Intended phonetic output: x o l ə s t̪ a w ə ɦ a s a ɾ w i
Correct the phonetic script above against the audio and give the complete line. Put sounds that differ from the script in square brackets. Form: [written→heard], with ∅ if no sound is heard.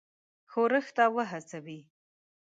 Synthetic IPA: x o [l→ɾ] ə [s→x] t̪ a w ə ɦ a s a [ɾ→∅] w i